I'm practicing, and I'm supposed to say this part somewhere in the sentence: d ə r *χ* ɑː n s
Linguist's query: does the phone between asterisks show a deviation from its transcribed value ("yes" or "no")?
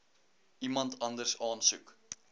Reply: yes